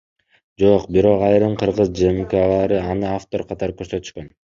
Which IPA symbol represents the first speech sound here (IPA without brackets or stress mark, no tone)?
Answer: d͡ʒ